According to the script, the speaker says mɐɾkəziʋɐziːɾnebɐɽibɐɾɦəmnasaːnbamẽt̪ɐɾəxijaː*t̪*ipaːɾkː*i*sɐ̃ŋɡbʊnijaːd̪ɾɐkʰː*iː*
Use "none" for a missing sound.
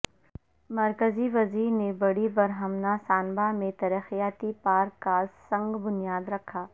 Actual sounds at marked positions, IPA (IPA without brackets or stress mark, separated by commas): t̪, a, aː